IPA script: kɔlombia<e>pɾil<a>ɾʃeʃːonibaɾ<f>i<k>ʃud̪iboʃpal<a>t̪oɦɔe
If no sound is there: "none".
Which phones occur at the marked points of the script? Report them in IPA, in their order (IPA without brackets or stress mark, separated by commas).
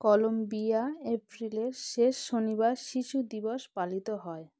e, e, ʃ, none, i